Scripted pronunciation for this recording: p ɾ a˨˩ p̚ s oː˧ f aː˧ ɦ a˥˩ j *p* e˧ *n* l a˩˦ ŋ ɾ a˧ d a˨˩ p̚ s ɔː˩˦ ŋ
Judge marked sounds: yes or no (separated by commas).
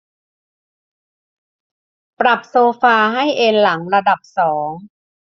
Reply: no, yes